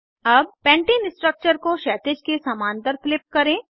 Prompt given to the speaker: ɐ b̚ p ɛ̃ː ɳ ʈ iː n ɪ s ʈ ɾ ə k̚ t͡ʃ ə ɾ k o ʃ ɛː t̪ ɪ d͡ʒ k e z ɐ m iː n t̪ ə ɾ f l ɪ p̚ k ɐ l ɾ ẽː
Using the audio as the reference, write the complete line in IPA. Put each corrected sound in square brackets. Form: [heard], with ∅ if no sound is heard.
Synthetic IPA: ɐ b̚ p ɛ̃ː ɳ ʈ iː n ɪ s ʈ ɾ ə k̚ t͡ʃ ə ɾ k o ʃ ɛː t̪ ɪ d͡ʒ k e [s] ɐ m [aː] n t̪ ə ɾ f l ɪ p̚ k ɐ [∅] ɾ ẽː